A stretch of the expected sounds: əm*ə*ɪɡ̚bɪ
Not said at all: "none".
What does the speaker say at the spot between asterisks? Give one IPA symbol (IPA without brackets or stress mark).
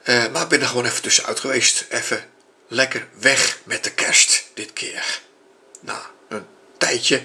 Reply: a